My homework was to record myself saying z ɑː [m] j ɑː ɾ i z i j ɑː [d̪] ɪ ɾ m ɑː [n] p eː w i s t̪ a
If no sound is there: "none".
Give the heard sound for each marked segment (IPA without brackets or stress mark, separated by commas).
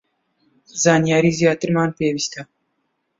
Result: n, t̪, n